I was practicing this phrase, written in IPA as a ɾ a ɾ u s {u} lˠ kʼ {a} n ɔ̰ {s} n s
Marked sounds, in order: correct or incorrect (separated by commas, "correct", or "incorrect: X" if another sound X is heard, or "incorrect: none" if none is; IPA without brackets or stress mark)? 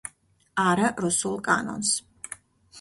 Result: correct, correct, incorrect: none